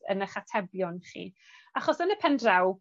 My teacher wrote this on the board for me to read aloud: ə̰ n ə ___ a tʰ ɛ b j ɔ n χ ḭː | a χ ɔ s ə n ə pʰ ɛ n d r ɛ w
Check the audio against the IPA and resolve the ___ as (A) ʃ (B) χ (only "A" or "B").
B